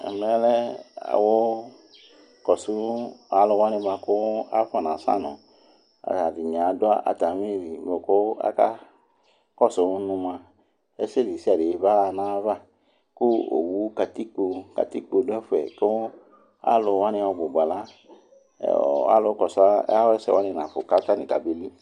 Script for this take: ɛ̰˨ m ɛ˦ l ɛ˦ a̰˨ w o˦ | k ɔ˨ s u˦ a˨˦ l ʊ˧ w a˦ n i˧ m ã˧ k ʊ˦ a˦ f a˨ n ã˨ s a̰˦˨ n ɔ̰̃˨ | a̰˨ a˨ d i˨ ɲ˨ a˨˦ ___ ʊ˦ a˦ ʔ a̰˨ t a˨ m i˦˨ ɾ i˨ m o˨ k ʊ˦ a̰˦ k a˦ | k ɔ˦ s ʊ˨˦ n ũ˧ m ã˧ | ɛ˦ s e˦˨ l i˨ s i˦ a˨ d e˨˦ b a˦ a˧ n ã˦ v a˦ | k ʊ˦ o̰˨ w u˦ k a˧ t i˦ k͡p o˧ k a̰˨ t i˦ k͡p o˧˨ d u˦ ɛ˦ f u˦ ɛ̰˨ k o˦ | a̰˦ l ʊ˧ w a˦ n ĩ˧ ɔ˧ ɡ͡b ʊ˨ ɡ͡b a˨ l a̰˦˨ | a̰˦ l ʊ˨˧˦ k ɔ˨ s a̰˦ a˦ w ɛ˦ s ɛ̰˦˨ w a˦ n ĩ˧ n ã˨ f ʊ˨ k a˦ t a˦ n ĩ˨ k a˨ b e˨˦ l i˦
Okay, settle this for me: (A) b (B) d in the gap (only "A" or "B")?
B